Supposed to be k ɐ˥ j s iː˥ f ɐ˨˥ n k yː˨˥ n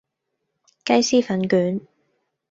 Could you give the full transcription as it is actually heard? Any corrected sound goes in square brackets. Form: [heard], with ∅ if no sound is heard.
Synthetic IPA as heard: k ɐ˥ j s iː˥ f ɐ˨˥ n k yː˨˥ n